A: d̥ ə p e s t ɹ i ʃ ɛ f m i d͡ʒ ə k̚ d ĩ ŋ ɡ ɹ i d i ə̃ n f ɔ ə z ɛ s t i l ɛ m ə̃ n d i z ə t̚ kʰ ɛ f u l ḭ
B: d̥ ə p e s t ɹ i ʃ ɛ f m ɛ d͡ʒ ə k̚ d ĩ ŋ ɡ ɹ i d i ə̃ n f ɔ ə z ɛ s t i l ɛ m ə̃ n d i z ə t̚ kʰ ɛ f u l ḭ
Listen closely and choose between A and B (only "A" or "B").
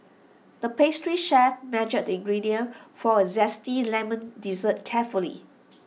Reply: B